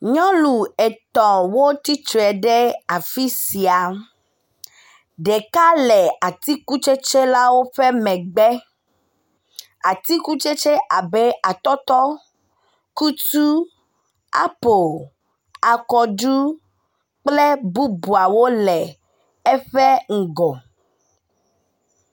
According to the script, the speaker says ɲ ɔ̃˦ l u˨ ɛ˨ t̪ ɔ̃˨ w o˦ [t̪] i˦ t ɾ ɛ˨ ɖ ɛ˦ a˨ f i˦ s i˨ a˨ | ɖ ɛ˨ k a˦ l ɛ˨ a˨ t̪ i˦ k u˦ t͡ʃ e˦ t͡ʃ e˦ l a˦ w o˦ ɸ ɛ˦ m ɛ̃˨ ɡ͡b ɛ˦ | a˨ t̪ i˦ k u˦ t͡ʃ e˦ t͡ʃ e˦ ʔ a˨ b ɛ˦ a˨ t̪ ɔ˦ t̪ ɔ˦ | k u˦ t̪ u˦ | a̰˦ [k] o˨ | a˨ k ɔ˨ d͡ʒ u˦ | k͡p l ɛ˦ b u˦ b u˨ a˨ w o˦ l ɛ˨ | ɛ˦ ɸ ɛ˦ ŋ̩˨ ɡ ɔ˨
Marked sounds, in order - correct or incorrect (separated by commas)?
correct, incorrect